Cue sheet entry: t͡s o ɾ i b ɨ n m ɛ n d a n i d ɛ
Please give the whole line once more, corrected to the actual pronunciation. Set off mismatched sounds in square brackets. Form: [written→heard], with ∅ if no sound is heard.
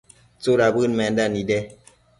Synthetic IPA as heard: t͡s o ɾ [i→a] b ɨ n m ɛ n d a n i d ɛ